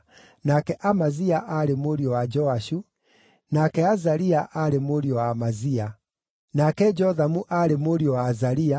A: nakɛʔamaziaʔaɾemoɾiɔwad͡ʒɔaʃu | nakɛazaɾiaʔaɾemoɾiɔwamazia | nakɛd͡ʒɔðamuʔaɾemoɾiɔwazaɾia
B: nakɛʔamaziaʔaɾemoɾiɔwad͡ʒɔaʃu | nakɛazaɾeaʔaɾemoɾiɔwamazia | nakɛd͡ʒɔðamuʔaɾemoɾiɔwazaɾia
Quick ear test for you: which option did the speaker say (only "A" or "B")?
A